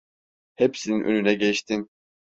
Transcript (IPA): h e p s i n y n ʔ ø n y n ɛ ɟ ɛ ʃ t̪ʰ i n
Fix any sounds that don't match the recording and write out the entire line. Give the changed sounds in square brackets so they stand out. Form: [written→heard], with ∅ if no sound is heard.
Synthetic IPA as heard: h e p s i n [y→i] n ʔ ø n y n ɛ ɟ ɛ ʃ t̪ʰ i n

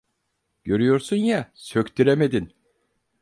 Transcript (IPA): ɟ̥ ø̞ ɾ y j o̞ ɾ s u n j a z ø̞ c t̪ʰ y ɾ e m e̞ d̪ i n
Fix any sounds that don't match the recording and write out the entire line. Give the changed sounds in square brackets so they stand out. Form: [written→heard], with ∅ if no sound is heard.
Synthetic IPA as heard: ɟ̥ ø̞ ɾ y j o̞ ɾ s u n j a [z→s] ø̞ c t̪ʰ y ɾ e m e̞ d̪ i n

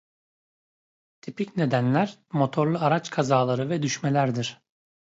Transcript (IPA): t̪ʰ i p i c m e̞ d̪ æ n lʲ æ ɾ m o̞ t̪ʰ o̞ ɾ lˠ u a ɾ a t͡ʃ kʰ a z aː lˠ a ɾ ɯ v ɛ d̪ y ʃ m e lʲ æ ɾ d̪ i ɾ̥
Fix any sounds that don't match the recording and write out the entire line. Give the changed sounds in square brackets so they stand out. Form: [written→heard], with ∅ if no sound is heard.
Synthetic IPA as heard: t̪ʰ i p i c [m→n] e̞ d̪ æ n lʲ æ ɾ m o̞ t̪ʰ o̞ ɾ lˠ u a ɾ a t͡ʃ kʰ a z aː lˠ a ɾ ɯ v ɛ d̪ y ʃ m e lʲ æ ɾ d̪ i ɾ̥

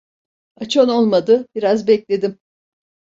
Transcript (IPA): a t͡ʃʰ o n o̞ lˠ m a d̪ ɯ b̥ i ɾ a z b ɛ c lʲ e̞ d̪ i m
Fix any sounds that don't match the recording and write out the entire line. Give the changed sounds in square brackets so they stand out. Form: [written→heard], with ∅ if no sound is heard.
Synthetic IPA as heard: a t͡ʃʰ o n o̞ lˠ m a d̪ ɯ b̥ i ɾ a z b ɛ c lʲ e̞ d̪ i m

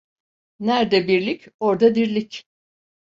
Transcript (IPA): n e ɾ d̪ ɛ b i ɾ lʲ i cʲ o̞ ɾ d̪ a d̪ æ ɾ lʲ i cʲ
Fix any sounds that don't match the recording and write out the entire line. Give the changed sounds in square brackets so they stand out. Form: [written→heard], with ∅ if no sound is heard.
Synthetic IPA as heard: n [e→æ] ɾ d̪ ɛ b i ɾ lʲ i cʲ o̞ ɾ d̪ a d̪ [æ→i] ɾ lʲ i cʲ

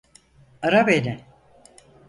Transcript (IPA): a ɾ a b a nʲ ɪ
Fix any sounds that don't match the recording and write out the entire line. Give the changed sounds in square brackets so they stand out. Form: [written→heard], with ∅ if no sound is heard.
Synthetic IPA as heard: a ɾ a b [a→e] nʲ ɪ

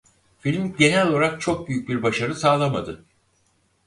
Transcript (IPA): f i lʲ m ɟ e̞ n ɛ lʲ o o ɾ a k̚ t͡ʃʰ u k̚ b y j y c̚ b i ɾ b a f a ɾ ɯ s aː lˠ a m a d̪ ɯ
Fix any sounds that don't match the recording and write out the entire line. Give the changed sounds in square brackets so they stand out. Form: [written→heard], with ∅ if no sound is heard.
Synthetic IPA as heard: f i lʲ m ɟ e̞ n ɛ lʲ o o ɾ a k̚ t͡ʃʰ [u→o] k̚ b y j y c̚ b i ɾ b a [f→ʃ] a ɾ ɯ s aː lˠ a m a d̪ ɯ

